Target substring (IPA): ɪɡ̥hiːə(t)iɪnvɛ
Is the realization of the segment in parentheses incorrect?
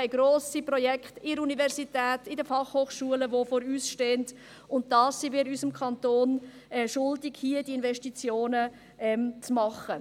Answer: yes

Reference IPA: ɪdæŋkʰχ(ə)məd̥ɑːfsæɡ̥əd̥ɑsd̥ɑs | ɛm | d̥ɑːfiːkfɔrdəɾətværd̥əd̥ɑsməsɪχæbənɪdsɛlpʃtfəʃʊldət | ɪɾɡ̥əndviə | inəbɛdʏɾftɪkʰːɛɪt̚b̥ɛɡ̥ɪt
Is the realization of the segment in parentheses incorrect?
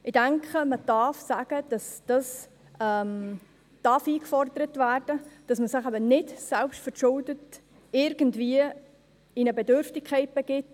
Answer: no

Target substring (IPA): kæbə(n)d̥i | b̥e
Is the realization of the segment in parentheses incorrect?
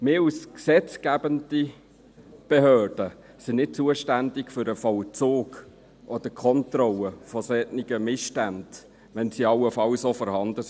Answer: no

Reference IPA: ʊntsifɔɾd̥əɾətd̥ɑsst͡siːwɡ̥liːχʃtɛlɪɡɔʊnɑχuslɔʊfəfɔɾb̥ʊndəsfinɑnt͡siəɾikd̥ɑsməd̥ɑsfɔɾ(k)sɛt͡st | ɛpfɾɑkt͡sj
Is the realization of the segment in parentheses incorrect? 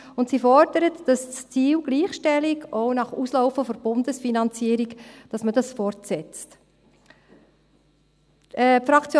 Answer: yes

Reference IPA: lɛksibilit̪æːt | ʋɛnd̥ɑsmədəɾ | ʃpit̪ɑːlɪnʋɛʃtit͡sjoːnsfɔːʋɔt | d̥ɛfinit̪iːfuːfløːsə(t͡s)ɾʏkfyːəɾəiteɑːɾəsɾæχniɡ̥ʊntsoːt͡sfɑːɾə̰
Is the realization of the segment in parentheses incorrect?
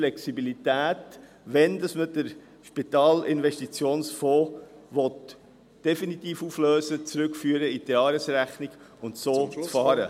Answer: no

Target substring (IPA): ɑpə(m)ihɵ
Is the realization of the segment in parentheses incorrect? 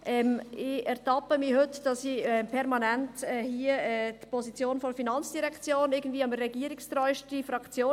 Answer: no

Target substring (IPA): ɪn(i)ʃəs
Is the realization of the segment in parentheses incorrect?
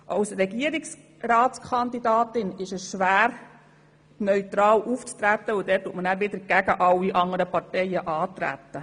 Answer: yes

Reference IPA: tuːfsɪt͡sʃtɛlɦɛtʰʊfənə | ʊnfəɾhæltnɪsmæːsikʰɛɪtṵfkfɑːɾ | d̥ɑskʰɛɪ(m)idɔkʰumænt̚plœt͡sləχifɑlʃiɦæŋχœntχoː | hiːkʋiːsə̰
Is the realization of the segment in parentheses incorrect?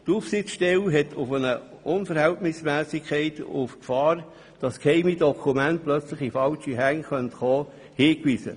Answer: no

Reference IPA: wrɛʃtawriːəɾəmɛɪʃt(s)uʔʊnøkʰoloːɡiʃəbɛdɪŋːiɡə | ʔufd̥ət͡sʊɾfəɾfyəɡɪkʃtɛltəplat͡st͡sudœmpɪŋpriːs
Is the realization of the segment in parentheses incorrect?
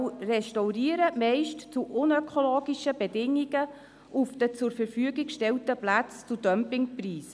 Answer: yes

